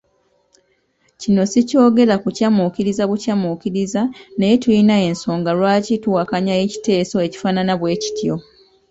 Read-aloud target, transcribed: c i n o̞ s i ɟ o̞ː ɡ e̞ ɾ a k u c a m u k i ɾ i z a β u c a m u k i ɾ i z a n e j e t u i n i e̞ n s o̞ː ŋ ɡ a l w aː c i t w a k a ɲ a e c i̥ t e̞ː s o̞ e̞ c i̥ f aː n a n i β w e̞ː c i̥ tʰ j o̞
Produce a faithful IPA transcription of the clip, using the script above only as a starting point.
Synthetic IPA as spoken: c i n o̞ s i c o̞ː ɡ e̞ ɾ a k u c a m u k i ɾ i z a β u c a m u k i ɾ i z a n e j e t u i n a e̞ n s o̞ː ŋ ɡ a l w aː c i t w a k a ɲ a e c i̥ t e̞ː s o̞ e̞ c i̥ f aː n a n a β w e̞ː c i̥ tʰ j o̞